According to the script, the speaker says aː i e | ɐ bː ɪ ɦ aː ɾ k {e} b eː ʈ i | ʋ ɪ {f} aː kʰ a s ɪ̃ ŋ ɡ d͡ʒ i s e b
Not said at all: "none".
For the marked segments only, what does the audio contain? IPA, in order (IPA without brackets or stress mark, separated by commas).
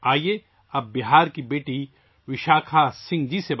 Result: i, ʃ